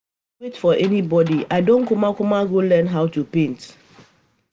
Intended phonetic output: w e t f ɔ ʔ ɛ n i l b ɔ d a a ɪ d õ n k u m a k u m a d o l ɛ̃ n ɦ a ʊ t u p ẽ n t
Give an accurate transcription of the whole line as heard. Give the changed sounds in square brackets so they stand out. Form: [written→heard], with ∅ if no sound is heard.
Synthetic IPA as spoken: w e t f ɔ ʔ ɛ n i [l→∅] b ɔ d [a→i] a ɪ d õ n k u m a k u m a [d→ɡ] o l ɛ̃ n ɦ a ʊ t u p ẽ n t